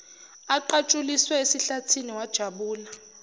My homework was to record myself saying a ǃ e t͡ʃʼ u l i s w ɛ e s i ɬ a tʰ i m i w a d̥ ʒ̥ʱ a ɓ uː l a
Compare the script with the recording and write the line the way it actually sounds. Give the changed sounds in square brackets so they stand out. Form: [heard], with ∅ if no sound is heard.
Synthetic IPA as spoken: a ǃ [a] t͡ʃʼ u l i s w ɛ e s i ɬ a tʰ i [n] i w a d̥ ʒ̥ʱ a ɓ uː l a